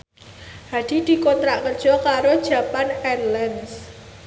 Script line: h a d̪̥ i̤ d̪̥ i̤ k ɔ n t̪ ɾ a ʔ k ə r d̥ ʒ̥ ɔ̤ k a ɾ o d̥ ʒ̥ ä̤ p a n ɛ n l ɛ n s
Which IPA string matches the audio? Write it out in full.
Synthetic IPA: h a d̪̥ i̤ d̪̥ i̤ k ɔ n t̪ ɾ a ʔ k ə r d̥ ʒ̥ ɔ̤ k a ɾ o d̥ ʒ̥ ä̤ p a n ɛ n l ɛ n s